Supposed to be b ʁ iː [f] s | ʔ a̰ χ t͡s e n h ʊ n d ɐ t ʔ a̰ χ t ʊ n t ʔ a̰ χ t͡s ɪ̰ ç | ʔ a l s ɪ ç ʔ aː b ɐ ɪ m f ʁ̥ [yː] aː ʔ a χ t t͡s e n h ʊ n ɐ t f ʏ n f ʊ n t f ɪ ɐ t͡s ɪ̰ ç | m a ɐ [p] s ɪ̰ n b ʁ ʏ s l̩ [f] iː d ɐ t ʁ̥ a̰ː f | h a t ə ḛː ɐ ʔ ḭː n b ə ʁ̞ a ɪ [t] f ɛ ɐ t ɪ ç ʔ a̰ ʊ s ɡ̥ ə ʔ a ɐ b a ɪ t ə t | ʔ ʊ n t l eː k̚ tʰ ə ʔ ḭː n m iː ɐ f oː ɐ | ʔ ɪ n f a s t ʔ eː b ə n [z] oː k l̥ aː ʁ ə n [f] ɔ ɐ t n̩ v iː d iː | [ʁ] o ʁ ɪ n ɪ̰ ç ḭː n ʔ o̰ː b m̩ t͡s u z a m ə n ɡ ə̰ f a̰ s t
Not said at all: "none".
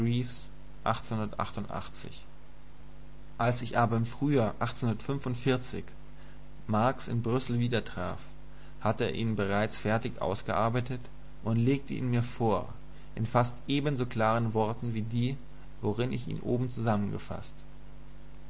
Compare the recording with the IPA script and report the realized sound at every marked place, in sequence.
f, yː, k, v, t͡s, z, v, v

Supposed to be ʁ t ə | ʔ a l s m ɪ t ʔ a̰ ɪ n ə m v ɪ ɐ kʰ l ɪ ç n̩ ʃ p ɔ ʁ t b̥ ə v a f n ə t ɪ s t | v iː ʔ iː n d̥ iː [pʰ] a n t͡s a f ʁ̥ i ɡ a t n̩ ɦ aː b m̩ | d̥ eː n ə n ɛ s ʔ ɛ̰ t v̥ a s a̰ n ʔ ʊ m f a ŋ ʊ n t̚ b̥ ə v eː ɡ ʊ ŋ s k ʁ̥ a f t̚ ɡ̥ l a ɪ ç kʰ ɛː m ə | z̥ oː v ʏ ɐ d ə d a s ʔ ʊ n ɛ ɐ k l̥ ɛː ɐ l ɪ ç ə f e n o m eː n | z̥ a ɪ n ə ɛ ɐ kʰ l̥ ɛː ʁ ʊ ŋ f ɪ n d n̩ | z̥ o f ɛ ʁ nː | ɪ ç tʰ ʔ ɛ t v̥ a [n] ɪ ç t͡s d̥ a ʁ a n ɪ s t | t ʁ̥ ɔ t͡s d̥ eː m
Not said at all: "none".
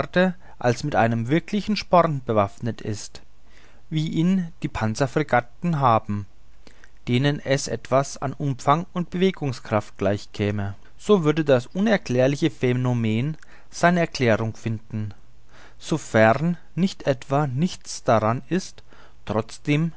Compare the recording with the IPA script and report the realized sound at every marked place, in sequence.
pʰ, n

